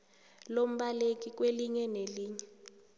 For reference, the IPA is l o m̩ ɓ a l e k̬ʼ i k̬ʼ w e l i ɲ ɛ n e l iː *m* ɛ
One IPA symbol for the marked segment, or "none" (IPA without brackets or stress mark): ɲ